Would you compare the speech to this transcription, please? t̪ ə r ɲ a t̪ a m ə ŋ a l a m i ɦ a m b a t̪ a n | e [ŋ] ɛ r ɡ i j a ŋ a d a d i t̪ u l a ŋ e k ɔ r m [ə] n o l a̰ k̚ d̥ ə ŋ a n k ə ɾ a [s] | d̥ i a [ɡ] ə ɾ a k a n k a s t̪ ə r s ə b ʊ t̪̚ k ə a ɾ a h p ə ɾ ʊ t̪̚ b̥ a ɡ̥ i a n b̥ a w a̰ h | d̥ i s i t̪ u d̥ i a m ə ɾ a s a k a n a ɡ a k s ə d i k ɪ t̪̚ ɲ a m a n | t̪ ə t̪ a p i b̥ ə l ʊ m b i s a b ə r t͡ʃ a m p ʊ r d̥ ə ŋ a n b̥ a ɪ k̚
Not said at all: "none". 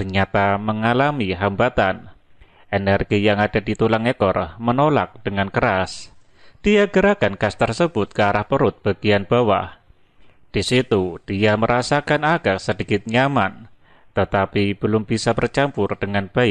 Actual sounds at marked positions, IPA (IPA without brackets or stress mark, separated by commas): n, ə, s, ɡ